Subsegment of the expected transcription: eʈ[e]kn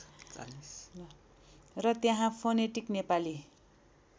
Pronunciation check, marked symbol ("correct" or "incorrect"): incorrect